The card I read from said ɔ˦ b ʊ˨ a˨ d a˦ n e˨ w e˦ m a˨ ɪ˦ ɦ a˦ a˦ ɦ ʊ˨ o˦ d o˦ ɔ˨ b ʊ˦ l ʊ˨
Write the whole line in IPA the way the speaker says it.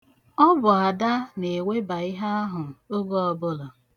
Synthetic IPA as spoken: ɔ˦ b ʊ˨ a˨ d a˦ n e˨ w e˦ b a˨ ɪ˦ ɦ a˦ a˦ ɦ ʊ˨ o˦ ɡ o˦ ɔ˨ b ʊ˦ l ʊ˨